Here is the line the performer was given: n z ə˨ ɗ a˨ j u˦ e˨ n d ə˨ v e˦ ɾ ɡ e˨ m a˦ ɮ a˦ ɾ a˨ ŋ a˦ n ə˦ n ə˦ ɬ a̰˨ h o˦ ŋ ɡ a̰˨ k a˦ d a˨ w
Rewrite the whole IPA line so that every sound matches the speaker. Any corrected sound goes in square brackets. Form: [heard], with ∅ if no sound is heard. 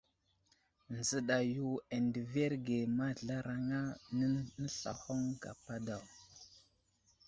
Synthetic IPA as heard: n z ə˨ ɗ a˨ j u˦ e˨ n d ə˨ v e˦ ɾ ɡ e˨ m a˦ ɮ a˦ ɾ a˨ ŋ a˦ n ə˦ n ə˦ ɬ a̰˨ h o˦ ŋ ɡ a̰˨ [p] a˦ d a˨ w